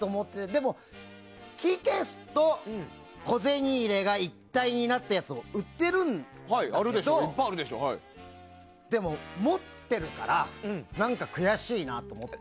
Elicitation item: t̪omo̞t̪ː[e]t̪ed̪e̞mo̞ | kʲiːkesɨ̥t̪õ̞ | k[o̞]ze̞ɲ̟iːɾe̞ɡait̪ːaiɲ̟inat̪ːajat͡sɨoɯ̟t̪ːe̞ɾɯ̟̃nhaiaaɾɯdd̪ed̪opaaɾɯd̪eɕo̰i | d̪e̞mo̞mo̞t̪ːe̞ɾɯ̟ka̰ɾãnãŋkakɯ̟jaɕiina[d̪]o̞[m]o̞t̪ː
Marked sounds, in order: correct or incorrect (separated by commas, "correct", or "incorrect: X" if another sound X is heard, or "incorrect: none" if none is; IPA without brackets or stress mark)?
correct, correct, incorrect: t̪, correct